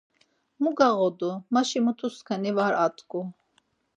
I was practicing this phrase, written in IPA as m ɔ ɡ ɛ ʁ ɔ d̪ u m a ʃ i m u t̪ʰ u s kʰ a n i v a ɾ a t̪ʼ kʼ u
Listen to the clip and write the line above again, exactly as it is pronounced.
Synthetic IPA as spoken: m u ɡ a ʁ ɔ d̪ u m a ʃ i m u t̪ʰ u s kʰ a n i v a ɾ a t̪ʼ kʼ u